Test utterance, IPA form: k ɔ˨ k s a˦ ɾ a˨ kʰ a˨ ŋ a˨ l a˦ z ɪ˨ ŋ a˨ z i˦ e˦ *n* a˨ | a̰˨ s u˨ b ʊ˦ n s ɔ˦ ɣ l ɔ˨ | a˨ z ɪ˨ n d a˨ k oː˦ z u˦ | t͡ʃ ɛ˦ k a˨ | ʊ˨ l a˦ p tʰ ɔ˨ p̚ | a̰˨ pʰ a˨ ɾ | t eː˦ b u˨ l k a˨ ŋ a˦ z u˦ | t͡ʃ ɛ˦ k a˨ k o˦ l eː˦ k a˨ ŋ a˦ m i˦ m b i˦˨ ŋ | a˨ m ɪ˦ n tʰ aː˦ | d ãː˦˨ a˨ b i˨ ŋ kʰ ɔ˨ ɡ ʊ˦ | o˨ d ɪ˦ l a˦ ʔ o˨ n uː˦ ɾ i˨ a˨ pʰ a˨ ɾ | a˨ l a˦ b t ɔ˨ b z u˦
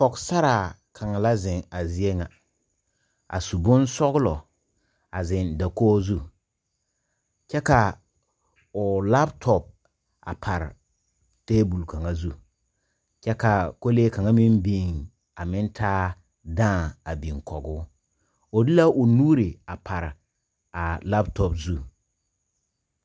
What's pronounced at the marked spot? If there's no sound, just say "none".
ŋ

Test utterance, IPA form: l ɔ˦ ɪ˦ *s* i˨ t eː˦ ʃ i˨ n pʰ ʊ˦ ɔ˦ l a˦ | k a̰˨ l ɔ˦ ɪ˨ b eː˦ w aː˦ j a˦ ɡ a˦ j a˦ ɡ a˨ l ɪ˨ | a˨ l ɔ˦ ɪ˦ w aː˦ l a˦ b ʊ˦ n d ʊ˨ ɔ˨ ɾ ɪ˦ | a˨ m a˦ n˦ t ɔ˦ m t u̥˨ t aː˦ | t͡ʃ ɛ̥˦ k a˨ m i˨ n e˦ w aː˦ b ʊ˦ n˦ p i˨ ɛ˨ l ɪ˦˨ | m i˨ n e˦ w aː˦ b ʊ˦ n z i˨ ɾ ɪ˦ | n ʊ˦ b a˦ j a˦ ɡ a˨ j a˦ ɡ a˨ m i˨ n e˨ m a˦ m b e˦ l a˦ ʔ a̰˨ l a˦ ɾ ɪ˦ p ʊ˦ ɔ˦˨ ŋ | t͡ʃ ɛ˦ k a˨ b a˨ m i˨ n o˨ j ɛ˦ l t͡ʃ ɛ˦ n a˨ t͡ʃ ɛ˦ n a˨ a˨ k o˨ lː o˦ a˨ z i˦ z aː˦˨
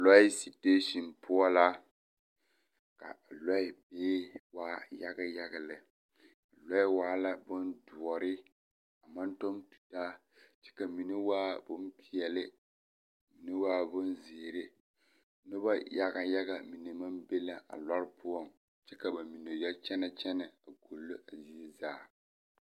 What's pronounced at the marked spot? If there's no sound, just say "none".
s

